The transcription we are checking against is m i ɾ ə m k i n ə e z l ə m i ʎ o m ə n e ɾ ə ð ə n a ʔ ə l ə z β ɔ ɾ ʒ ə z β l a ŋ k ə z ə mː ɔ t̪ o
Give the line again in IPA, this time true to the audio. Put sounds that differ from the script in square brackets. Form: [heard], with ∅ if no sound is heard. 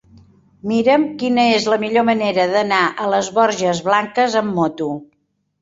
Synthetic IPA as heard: m i ɾ ə m k i n ə e z l ə m i ʎ o m ə n e ɾ ə ð ə n a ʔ ə l ə z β ɔ ɾ ʒ ə z β l a ŋ k ə z ə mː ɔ t̪ [u]